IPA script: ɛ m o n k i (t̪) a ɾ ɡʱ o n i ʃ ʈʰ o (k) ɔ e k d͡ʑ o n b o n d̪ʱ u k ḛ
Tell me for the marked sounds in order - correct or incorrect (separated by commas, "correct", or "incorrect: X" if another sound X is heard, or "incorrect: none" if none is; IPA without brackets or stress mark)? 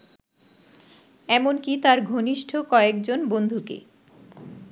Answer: correct, correct